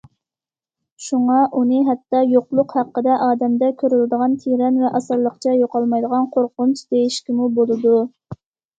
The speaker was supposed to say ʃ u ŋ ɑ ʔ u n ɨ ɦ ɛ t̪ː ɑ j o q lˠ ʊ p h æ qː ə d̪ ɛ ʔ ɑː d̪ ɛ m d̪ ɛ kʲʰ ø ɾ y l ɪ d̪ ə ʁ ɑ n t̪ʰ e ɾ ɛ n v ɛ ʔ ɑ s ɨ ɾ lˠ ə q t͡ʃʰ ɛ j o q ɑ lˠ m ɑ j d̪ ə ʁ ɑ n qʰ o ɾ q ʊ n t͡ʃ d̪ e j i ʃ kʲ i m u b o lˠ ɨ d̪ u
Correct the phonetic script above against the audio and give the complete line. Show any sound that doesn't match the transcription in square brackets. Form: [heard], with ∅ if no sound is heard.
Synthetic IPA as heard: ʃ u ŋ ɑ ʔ u n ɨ ɦ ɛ t̪ː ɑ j o q lˠ ʊ [q] h æ qː ə d̪ ɛ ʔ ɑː d̪ ɛ m d̪ ɛ kʲʰ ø ɾ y l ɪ d̪ ə ʁ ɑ n t̪ʰ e ɾ ɛ n v ɛ ʔ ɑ s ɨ ɾ lˠ ə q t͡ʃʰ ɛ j o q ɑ lˠ m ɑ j d̪ ə ʁ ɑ n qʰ o ɾ q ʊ n t͡ʃ d̪ e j i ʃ kʲ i m u b o lˠ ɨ d̪ u